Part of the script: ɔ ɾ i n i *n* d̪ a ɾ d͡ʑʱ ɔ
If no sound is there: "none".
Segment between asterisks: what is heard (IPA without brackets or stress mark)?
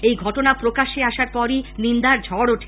n